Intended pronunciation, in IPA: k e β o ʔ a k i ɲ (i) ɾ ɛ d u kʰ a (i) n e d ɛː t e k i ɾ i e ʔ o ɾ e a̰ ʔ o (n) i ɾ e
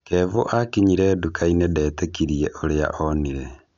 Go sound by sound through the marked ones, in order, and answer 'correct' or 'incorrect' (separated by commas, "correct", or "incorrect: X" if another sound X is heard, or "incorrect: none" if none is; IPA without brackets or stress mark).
correct, correct, correct